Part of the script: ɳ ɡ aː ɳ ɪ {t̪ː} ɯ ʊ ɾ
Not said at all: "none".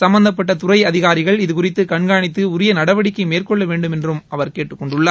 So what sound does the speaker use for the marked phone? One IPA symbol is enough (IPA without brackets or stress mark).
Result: t̪ː